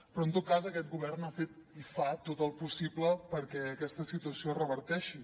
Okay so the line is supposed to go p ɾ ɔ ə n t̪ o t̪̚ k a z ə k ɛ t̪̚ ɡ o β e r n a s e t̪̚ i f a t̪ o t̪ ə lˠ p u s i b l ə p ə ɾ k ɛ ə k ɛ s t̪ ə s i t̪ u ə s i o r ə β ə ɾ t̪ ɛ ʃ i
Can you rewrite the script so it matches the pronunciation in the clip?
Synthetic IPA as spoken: p ɾ ɔ ə n t̪ o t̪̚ k a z ə k ɛ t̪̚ ɡ u β ɛ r n a f e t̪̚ i f a t̪ o t̪ ə lˠ p u s i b l ə p ə ɾ k ɛ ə k ɛ s t̪ ə s i t̪ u ə s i o r ə β ə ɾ t̪ ɛ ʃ i

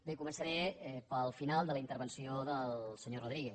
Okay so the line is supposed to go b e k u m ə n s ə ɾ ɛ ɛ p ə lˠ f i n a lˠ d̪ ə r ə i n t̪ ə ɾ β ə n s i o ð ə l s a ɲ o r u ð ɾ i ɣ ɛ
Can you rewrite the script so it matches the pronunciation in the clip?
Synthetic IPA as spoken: b e k u m ə n s ə ɾ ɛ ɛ p ə lˠ f i n a lˠ d̪ ə l ə i n t̪ ə ɾ β ə n s i o ð ə l s ə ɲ o r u ð ɾ i ɣ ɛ

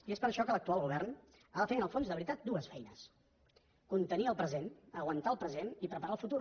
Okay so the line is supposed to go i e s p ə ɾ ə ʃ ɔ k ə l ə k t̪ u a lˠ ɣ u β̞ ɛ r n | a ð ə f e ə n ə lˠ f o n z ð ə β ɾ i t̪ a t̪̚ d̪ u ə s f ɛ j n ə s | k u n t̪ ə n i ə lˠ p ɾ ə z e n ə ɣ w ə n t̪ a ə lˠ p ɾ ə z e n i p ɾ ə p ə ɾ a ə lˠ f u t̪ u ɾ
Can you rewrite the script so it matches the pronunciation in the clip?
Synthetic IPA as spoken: i e s p ə ɾ ə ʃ ɔ k ə l ə k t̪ u a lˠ ɣ u β̞ ɛ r n | a ð ə f e ə n ə lˠ f o n z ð ə β ɾ i t̪ a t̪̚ d̪ u ə s f ɛ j n ə s | k u n t̪ ə n i ə lˠ p ɾ ə z e n ə ɣ w ə n t̪ a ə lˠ p ɾ ə z e n i p ɾ ə p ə ɾ a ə lˠ f u t̪ u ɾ

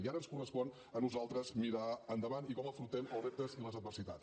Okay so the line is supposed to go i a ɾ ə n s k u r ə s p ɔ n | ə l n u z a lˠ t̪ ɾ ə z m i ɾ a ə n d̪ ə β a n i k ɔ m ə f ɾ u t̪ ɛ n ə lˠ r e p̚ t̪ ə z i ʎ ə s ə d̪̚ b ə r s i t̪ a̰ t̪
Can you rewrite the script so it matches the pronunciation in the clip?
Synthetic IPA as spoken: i a ɾ ə n s k u r ə s p ɔ n | ə n u z a lˠ t̪ ɾ ə z m i ɾ a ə n d̪ ə β a n i k ɔ m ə f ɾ u t̪ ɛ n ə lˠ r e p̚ t̪ ə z i l ə z ə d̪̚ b ə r s i t̪ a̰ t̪

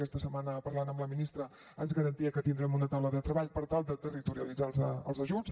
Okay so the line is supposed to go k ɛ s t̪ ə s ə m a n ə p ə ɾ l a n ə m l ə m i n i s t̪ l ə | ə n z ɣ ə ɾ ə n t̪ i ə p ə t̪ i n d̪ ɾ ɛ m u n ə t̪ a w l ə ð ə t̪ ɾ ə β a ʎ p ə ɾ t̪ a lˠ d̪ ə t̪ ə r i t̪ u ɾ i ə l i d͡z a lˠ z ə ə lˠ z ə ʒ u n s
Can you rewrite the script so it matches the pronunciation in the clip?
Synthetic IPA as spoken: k ɛ s t̪ ə s ə m a n ə p ə ɾ l a n ə m l ə m i n i s t̪ ɾ ə | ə n z ɣ ə ɾ ə n t̪ i ə k ə t̪ i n d̪ ɾ ɛ m u n ə t̪ a w l ə ð ə t̪ ɾ ə β a ʎ p ə ɾ t̪ a lˠ d̪ ə t̪ ə r i t̪ u ɾ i ə l i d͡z a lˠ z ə ə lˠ z ə ʒ u n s

